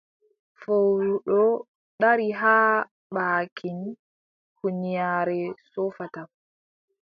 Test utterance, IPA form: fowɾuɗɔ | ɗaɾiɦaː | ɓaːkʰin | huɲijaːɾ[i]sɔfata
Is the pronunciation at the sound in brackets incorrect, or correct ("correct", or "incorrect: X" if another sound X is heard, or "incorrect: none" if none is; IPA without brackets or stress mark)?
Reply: incorrect: ɛ